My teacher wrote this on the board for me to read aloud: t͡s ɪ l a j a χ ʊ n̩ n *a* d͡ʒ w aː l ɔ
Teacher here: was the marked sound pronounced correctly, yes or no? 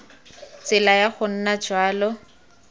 yes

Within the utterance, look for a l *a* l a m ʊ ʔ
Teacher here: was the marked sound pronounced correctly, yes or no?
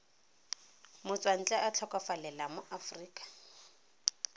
no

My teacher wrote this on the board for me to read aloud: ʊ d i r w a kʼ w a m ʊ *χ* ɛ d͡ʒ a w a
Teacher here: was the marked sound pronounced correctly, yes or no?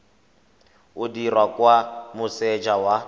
no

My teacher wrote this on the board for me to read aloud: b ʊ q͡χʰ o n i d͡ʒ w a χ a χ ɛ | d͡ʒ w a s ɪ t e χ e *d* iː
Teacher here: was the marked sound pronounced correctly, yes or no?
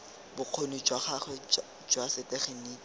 no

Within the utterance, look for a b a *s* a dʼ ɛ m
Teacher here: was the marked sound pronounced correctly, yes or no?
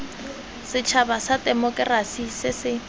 yes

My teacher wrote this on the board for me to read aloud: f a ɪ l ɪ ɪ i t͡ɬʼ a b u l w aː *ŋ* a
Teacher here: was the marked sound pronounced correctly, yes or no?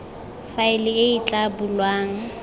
yes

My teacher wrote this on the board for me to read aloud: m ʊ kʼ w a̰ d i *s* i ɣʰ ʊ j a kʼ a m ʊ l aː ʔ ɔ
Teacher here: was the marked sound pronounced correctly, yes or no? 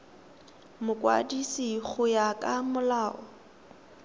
yes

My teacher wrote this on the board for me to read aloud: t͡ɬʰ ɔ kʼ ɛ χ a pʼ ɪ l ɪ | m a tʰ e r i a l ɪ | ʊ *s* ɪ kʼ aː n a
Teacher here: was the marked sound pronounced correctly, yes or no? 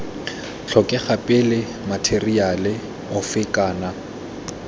no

